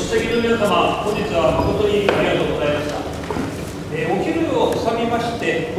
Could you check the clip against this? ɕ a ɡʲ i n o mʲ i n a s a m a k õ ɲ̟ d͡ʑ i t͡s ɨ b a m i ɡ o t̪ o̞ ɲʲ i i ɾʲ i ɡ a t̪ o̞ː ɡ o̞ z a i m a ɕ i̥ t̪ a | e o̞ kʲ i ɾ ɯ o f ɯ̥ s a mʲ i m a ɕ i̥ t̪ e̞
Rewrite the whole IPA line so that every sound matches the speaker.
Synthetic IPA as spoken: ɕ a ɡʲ i n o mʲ i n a s a m a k õ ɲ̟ d͡ʑ i t͡s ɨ β a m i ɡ o t̪ o̞ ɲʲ i a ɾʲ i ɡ a t̪ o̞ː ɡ o̞ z a i m a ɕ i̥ t̪ a | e o̞ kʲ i ɾ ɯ o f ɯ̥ s a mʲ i m a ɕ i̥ t̪ e̞

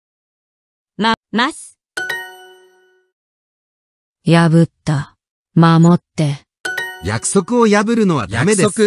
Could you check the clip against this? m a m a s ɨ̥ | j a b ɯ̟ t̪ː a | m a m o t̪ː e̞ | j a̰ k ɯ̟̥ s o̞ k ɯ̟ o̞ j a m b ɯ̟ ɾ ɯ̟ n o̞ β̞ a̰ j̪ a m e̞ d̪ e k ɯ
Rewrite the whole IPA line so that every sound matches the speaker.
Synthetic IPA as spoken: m a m a s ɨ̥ | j a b ɯ̟ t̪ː a | m a m o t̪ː e̞ | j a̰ k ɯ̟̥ s o̞ k ɯ̟ o̞ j a b ɯ̟ ɾ ɯ̟ n o̞ β̞ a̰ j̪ a m e̞ d̪ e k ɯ

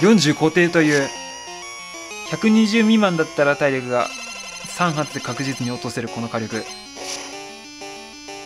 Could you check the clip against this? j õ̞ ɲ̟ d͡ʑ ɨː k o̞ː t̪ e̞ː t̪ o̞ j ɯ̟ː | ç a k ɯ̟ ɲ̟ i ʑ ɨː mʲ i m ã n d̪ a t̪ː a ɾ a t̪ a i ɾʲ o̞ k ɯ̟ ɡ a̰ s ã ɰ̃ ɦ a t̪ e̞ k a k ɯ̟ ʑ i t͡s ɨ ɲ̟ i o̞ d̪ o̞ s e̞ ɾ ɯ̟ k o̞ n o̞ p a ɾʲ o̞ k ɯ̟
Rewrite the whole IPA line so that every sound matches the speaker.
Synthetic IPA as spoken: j õ̞ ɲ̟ d͡ʑ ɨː k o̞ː t̪ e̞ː t̪ o̞ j ɯ̟ː | ç a k ɯ̟ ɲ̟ i ʑ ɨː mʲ i m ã n d̪ a t̪ː a ɾ a t̪ a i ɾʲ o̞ k ɯ̟ ɡ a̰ s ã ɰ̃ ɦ a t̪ e̞ k a k ɯ̟ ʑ i t͡s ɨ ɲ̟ i o̞ t̪ o̞ s e̞ ɾ ɯ̟ k o̞ n o̞ k a ɾʲ o̞ k ɯ̟

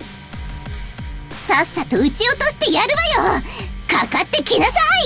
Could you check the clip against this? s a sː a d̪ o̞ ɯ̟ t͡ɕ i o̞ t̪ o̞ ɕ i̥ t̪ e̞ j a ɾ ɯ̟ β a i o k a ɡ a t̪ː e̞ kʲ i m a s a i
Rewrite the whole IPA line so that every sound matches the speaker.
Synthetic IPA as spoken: s a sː a t̪ o̞ ɯ̟ t͡ɕ i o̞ t̪ o̞ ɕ i̥ t̪ e̞ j a ɾ ɯ̟ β a j o k a k a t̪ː e̞ kʲ i n a s a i

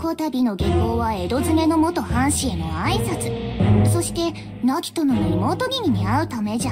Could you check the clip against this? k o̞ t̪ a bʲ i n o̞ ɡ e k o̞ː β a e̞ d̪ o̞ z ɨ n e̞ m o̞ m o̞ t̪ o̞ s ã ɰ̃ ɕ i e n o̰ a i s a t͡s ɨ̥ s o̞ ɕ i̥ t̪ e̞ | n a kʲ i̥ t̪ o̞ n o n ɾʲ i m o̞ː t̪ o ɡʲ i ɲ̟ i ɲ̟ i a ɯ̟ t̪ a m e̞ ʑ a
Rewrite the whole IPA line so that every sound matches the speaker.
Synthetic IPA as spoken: k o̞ t̪ a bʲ i n o̞ ɡ e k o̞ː β a e̞ d̪ o̞ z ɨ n e̞ n o̞ m o̞ t̪ o̞ h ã ɰ̃ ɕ i e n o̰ a i s a t͡s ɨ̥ s o̞ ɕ i̥ t̪ e̞ | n a kʲ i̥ t̪ o̞ n o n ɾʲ i m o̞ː t̪ o ɡʲ i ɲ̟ i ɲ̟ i a ɯ̟ t̪ a m e̞ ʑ a

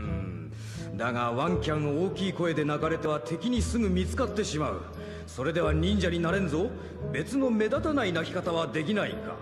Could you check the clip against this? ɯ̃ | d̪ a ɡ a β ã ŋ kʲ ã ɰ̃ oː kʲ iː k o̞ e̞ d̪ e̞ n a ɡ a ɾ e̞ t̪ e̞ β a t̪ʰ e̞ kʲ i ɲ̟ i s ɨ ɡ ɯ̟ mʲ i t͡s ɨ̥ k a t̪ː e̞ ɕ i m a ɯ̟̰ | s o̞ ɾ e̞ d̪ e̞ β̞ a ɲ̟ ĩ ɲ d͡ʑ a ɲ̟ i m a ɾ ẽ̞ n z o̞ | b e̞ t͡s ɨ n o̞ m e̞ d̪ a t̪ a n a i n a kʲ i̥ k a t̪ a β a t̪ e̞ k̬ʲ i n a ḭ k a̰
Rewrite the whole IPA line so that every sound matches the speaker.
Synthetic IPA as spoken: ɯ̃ | d̪ a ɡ a β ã ŋ kʲ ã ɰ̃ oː kʲ iː k o̞ e̞ d̪ e̞ n a ɡ a ɾ e̞ t̪ e̞ β a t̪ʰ e̞ kʲ i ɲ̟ i s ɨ ɡ ɯ̟ mʲ i t͡s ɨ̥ k a t̪ː e̞ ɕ i m a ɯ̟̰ | s o̞ ɾ e̞ d̪ e̞ β̞ a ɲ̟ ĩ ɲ d͡ʑ a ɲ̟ i n a ɾ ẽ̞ n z o̞ | b e̞ t͡s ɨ n o̞ m e̞ d̪ a t̪ a n a i n a kʲ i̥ k a t̪ a β a d̪ e̞ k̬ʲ i n a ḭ k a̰

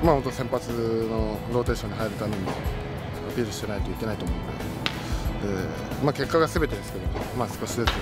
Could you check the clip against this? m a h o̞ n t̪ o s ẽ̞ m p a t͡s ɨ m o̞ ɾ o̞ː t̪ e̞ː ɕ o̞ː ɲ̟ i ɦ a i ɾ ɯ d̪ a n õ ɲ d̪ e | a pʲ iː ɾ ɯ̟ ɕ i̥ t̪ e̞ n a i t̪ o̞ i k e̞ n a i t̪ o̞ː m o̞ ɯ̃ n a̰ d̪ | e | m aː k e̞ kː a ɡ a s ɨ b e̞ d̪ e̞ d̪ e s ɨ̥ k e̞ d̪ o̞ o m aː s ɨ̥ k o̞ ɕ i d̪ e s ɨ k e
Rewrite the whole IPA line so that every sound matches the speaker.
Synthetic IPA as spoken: m a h o̞ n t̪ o s ẽ̞ m p a t͡s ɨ n o̞ ɾ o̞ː t̪ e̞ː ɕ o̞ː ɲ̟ i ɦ a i ɾ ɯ t̪ a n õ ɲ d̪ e | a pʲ iː ɾ ɯ̟ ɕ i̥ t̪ e̞ n a i t̪ o̞ i k e̞ n a i t̪ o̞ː m o̞ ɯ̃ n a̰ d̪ | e | m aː k e̞ kː a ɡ a s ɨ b e̞ t̪ e̞ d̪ e s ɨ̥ k e̞ d̪ o̞ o m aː s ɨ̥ k o̞ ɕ i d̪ e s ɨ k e

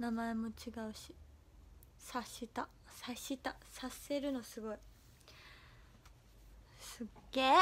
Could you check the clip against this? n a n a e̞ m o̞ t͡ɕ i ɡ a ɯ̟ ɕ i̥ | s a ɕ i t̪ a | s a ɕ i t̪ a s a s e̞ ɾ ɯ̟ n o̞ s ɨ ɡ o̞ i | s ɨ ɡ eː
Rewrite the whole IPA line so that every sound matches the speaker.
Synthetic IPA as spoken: n a m a e̞ m o̞ t͡ɕ i ɡ a ɯ̟ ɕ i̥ | s a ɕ i t̪ a | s a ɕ i t̪ a s a s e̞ ɾ ɯ̟ n o̞ s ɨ ɡ o̞ i | s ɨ ɡ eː

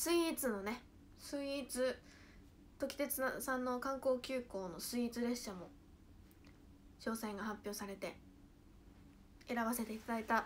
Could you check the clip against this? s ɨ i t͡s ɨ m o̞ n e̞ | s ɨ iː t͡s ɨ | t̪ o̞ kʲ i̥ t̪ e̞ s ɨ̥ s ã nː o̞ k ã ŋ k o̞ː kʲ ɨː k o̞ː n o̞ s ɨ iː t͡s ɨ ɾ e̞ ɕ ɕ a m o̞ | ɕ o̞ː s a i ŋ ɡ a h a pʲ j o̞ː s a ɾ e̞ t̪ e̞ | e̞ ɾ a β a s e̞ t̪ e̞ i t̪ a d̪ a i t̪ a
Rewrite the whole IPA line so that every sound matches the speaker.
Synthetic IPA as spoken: s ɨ i t͡s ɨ n o̞ n e̞ | s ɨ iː t͡s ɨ | t̪ o̞ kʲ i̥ t̪ e̞ t͡s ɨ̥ s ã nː o̞ k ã ŋ k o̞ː kʲ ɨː k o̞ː n o̞ s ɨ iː t͡s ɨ ɾ e̞ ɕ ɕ a m o̞ | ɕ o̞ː s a i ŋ ɡ a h a pʲ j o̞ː s a ɾ e̞ t̪ e̞ | e̞ ɾ a β a s e̞ t̪ e̞ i t̪ a d̪ a i t̪ a

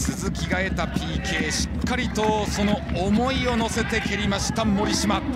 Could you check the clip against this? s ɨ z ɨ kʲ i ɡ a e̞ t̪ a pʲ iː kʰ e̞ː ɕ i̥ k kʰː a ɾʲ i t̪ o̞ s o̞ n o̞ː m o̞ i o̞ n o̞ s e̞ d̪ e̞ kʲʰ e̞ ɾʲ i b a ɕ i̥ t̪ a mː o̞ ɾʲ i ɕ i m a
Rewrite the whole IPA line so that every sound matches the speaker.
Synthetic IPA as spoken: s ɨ z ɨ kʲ i ɡ a e̞ t̪ a pʲ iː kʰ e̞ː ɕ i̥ k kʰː a ɾʲ i t̪ o̞ s o̞ n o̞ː m o̞ i o̞ n o̞ s e̞ t̪ e̞ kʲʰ e̞ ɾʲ i m a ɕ i̥ t̪ a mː o̞ ɾʲ i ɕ i m a

